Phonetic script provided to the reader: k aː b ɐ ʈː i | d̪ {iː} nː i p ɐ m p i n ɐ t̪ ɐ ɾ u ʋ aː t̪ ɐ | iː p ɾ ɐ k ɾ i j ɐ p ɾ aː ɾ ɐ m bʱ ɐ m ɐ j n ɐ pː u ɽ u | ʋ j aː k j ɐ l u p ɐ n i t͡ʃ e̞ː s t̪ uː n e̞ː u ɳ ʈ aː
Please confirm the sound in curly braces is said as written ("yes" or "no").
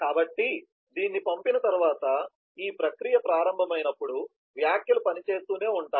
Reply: yes